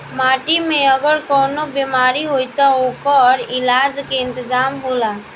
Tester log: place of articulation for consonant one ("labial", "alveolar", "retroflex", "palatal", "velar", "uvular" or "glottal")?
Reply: labial